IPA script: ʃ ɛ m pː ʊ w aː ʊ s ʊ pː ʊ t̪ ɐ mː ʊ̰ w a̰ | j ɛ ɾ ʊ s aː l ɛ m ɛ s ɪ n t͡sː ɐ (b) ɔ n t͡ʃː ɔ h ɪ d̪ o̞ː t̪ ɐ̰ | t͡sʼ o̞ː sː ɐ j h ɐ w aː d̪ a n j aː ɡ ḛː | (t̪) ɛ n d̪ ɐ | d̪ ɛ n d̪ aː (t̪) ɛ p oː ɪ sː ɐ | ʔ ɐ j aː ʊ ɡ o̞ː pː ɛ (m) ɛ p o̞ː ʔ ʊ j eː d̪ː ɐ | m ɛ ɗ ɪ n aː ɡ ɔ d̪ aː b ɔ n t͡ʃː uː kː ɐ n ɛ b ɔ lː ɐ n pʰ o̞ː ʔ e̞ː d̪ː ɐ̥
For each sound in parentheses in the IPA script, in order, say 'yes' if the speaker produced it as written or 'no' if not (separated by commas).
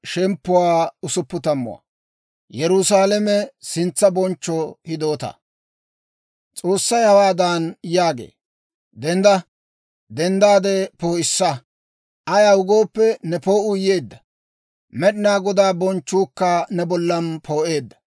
yes, no, no, no